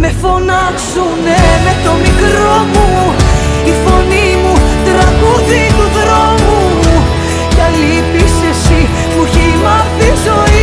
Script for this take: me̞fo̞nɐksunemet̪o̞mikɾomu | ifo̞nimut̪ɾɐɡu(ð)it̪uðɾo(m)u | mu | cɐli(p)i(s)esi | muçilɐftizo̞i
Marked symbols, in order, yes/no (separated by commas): yes, yes, yes, yes